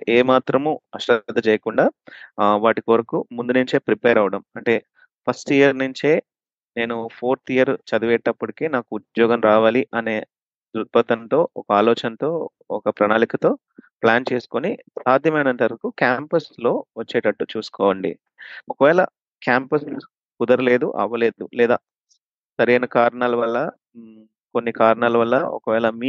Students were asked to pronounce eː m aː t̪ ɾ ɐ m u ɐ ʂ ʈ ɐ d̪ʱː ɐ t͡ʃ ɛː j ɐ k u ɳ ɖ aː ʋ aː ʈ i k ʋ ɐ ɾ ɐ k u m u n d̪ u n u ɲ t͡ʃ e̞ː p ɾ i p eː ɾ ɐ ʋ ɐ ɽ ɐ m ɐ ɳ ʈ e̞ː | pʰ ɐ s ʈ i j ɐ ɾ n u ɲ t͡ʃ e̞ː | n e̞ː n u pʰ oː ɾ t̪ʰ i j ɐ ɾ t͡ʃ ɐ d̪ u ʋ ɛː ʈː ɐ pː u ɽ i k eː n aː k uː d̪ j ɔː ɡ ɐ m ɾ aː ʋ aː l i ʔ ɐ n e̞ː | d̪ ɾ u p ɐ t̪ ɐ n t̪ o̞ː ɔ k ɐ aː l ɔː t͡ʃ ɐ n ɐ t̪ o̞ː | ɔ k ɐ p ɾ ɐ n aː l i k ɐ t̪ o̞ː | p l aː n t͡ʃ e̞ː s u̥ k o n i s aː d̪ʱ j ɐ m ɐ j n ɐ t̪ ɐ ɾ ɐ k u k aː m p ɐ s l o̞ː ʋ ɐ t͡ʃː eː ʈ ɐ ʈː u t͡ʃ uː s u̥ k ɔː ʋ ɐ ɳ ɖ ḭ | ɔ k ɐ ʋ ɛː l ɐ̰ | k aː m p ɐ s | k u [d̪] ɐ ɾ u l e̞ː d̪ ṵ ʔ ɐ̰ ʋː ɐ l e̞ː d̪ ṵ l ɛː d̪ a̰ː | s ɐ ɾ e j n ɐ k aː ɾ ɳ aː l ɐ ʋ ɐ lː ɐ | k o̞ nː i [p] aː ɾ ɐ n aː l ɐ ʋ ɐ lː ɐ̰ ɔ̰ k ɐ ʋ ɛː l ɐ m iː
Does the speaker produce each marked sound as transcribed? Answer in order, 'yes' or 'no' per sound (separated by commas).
yes, no